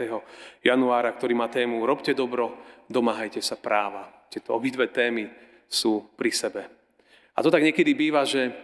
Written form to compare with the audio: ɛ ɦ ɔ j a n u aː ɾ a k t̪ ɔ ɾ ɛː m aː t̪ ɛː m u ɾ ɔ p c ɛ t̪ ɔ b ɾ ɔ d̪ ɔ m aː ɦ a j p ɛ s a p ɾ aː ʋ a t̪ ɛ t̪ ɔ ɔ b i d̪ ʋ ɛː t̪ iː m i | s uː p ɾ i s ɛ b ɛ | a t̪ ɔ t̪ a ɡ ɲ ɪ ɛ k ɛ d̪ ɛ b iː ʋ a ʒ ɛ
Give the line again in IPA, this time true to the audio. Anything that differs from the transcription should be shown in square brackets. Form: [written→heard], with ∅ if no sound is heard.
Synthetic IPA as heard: ɛ ɦ ɔ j a n u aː ɾ a k t̪ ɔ ɾ [ɛː→iː] m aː t̪ ɛː m u ɾ ɔ p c ɛ [t̪→d̪] ɔ b ɾ ɔ d̪ ɔ m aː ɦ a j [p→c] ɛ s a p ɾ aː ʋ a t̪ ɛ t̪ ɔ ɔ b i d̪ ʋ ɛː t̪ [iː→ɛː] m i | s uː p ɾ i s ɛ b ɛ | a t̪ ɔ t̪ a ɡ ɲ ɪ ɛ k ɛ d̪ [ɛ→i] b iː ʋ a ʒ ɛ